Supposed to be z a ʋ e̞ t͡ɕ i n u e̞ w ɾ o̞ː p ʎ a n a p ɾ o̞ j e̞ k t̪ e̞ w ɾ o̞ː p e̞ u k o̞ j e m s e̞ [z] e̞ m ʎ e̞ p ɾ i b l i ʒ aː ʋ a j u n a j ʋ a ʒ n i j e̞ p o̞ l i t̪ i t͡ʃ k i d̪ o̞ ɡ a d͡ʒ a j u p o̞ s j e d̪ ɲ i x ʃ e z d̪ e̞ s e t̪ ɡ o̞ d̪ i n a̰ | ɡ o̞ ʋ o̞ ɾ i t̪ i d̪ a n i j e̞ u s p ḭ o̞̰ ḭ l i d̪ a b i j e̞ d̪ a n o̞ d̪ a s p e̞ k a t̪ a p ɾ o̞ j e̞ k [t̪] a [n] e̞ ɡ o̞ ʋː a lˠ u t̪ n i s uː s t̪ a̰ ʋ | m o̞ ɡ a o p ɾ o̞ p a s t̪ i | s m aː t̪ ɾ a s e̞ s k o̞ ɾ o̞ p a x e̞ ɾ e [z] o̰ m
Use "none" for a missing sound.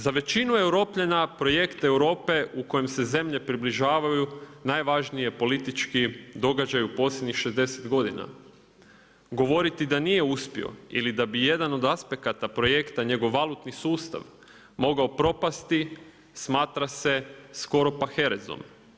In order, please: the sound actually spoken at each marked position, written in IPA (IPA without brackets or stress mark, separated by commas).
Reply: z, t̪, ɲ, z